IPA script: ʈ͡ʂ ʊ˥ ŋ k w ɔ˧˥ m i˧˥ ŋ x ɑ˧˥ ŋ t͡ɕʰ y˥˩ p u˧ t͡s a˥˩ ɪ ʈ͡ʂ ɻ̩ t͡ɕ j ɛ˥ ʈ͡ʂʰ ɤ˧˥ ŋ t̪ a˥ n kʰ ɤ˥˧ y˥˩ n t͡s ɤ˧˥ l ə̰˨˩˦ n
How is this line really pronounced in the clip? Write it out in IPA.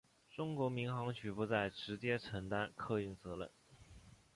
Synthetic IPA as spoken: ʈ͡ʂ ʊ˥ ŋ k w ɔ˧˥ m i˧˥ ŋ x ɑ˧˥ ŋ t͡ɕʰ y˨˩ p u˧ t͡s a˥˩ ɪ ʈ͡ʂ ɻ̩ t͡ɕ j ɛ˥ ʈ͡ʂʰ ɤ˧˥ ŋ t̪ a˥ n kʰ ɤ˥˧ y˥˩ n t͡s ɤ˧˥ l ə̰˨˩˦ n